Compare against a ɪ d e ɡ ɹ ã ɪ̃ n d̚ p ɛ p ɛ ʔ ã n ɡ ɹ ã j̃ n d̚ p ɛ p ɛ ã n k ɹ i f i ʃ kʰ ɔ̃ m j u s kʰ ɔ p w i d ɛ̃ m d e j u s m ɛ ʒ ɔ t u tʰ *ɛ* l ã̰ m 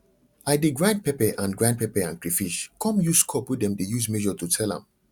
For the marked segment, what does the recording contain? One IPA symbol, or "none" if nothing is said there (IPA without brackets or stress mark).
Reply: ɛ